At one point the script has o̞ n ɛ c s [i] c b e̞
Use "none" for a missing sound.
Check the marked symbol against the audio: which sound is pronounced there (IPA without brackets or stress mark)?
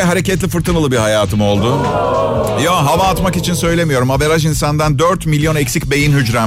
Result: i